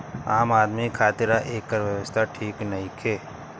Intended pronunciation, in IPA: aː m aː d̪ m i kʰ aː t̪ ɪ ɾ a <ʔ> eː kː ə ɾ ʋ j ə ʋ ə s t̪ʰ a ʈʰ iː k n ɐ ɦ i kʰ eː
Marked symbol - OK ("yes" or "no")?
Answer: yes